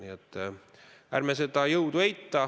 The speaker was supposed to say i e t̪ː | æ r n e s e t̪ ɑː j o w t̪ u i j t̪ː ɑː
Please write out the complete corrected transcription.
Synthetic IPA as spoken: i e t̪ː | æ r m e s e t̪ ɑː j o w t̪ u e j t̪ː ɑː